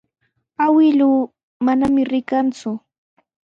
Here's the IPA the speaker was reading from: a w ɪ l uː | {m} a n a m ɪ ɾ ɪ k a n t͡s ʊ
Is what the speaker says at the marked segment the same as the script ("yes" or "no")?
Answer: yes